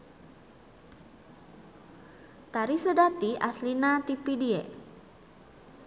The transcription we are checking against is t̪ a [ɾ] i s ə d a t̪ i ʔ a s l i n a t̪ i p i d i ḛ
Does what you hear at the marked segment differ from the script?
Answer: no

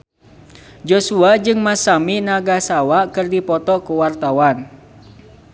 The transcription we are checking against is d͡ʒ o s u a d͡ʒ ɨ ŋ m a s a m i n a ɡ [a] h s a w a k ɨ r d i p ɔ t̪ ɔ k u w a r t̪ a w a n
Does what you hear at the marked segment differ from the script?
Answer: no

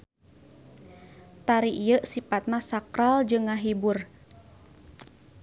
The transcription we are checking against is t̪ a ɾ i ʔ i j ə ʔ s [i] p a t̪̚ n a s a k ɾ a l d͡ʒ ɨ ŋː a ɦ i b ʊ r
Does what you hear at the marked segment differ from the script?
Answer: no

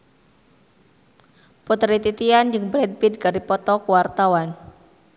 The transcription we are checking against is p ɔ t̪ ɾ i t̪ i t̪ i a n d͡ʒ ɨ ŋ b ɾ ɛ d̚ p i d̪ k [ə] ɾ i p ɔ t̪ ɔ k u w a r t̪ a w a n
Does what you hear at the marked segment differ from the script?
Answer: yes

